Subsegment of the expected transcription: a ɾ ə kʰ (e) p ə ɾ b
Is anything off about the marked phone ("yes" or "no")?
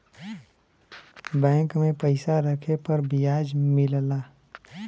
no